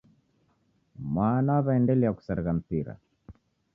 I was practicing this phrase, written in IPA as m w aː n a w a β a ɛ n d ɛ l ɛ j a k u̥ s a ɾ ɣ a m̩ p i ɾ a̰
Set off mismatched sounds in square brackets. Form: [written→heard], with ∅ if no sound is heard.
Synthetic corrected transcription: m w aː n a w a β a ɛ n d ɛ l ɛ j a k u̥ s a ɾ ɣ a m̩ p i ɾ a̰